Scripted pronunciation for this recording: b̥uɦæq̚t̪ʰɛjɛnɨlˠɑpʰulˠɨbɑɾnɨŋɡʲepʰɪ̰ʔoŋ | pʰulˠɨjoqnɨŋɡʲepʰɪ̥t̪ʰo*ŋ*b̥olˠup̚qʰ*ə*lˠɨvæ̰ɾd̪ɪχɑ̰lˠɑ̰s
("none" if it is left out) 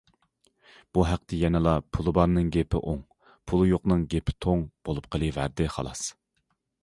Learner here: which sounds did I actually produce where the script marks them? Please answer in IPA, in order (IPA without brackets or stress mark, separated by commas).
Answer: ŋ, ə